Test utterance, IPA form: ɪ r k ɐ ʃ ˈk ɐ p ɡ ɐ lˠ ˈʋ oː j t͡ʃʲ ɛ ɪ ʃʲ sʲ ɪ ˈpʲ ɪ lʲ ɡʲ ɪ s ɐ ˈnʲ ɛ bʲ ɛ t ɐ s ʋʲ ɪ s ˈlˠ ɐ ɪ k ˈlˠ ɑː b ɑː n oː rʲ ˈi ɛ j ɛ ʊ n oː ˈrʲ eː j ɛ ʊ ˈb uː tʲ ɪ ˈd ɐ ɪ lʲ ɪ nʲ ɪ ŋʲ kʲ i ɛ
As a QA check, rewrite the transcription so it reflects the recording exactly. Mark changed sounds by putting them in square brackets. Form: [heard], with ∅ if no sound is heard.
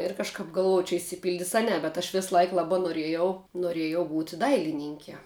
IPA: ɪ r k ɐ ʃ ˈk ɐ p ɡ ɐ lˠ ˈʋ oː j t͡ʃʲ ɛ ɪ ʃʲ sʲ ɪ ˈpʲ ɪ lʲ [dʲ] ɪ s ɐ ˈnʲ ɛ bʲ ɛ t ɐ [ʃ] ʋʲ ɪ s ˈlˠ ɐ ɪ k ˈlˠ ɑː b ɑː n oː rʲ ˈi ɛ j ɛ ʊ n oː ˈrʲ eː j ɛ ʊ ˈb uː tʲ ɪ ˈd ɐ ɪ lʲ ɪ nʲ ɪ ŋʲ kʲ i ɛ